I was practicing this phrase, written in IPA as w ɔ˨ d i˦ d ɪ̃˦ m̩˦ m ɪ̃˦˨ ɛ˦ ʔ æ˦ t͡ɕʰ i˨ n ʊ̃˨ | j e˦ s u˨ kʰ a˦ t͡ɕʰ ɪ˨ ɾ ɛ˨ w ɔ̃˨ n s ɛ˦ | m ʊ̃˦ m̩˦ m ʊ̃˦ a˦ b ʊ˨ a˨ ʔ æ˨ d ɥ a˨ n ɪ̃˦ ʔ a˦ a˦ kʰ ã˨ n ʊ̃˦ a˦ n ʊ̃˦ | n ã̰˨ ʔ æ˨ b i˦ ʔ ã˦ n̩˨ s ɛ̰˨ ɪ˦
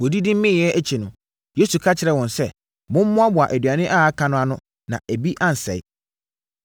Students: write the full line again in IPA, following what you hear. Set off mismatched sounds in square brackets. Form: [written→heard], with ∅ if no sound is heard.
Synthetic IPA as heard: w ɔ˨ d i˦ d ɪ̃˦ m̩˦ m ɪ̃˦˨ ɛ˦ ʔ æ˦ t͡ɕʰ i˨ n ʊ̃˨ | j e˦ s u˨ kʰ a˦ t͡ɕʰ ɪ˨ ɾ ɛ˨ w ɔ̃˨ n s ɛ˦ | m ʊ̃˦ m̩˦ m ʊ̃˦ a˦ b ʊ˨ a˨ ʔ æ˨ d ɥ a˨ n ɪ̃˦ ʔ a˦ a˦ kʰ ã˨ n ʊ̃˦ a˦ n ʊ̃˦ | n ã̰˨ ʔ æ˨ b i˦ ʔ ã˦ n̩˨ s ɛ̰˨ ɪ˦